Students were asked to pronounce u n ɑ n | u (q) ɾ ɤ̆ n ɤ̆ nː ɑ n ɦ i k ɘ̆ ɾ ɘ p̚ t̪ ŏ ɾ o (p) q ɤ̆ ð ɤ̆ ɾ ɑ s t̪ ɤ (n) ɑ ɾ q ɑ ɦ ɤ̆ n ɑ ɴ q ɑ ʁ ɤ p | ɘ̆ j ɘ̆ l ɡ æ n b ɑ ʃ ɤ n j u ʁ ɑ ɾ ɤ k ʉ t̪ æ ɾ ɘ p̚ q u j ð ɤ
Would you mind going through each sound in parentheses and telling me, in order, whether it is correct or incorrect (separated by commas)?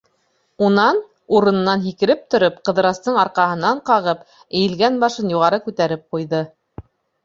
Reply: incorrect, correct, incorrect